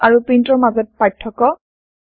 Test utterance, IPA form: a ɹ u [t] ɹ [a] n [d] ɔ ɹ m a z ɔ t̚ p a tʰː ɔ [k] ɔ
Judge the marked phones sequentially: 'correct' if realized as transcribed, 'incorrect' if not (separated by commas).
incorrect, incorrect, incorrect, correct